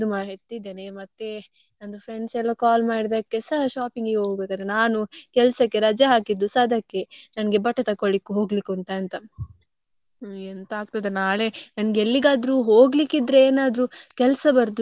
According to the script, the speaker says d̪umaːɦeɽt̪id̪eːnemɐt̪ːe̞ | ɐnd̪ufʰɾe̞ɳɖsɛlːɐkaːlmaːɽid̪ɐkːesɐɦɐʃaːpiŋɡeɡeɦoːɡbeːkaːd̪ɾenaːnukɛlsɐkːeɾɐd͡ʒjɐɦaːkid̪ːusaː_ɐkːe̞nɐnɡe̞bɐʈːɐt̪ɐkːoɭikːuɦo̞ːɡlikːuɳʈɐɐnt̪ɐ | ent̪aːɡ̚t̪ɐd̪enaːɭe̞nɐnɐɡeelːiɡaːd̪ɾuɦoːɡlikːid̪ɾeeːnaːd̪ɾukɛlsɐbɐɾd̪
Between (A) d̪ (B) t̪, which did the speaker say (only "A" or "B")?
A